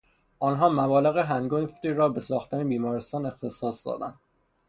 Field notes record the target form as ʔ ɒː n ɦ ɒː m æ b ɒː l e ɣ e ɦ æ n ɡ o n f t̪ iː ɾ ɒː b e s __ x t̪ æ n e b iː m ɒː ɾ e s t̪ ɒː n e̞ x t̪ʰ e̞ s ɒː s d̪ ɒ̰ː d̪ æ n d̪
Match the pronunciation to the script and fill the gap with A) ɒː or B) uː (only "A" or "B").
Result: A